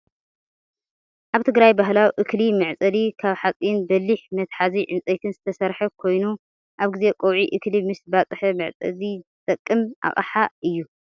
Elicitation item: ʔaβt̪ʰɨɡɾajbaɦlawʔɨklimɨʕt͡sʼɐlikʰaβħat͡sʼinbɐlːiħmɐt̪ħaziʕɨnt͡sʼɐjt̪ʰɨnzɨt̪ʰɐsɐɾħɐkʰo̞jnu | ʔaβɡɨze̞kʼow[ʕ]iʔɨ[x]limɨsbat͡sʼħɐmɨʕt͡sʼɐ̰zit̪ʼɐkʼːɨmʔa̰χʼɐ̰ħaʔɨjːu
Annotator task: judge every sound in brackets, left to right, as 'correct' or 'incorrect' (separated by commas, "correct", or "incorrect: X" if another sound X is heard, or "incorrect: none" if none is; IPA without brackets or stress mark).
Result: correct, incorrect: k